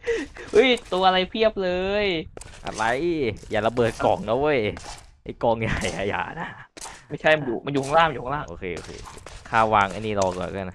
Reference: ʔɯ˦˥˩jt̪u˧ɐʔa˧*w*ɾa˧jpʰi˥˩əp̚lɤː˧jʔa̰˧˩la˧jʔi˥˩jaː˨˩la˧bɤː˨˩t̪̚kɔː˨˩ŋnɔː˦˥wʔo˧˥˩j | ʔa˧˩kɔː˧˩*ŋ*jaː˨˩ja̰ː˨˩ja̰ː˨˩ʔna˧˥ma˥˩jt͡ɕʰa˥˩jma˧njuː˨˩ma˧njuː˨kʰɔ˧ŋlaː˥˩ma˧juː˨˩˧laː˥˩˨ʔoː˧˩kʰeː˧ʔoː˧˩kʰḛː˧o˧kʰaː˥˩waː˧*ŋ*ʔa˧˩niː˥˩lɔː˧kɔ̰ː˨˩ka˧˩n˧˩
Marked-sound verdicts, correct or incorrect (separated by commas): incorrect, correct, correct